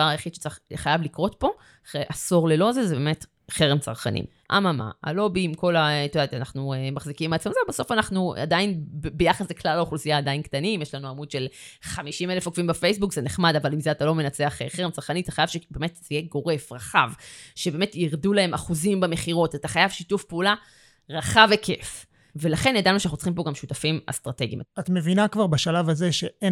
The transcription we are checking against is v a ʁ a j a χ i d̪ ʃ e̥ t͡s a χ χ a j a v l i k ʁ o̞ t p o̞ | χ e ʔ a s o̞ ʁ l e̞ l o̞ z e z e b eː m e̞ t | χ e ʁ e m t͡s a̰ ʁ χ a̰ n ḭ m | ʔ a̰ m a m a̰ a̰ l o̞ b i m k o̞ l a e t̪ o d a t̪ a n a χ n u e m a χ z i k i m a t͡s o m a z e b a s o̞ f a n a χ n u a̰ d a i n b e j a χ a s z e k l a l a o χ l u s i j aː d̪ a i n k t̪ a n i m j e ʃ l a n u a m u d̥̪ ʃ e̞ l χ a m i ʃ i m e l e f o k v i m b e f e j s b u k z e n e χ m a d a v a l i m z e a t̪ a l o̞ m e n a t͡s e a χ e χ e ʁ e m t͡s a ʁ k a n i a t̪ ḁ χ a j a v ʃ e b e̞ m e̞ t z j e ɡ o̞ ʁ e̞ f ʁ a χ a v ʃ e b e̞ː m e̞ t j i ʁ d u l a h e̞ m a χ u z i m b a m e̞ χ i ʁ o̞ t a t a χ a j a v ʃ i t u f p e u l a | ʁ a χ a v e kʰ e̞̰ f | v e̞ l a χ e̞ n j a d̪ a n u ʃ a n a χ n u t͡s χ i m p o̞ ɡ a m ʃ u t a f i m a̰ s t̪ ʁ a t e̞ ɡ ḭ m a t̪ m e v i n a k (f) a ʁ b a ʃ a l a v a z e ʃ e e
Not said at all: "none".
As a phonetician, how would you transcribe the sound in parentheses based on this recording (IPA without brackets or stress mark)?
v